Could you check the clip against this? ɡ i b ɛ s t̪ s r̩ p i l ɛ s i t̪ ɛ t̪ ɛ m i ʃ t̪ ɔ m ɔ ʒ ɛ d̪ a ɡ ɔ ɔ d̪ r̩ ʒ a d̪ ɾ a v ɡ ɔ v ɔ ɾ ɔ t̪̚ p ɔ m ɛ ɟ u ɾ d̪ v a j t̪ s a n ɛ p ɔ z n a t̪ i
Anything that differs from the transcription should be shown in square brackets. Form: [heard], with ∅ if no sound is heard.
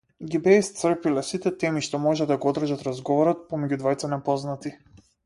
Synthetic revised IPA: ɡ i b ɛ s t̪ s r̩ p i l ɛ s i t̪ ɛ t̪ ɛ m i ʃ t̪ ɔ m ɔ ʒ ɛ d̪ a ɡ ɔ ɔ d̪ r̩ ʒ a [t̪] ɾ a [z] ɡ ɔ v ɔ ɾ ɔ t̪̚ p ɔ m ɛ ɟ u [∅] d̪ v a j t̪ s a n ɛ p ɔ z n a t̪ i